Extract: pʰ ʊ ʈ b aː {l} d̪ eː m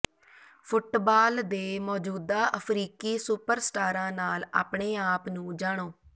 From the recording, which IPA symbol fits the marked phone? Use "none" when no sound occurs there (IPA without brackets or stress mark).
l